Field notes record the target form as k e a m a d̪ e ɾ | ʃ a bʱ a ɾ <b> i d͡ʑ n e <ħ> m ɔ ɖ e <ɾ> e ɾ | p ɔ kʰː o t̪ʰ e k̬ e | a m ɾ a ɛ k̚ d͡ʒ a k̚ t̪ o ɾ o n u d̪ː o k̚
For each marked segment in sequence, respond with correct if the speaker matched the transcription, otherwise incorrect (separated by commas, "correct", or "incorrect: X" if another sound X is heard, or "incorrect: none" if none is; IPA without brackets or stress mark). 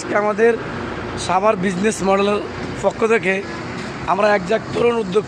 correct, incorrect: s, incorrect: l